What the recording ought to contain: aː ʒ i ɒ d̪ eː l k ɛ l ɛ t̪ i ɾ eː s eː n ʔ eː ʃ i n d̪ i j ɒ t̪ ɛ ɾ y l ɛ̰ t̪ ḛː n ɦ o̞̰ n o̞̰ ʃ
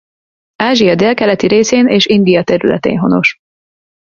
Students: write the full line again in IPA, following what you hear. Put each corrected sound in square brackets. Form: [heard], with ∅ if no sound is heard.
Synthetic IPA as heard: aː ʒ i ɒ d̪ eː l k ɛ l ɛ t̪ i ɾ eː s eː n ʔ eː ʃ i n d̪ i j ɒ t̪ ɛ ɾ y l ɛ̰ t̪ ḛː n ɦ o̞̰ n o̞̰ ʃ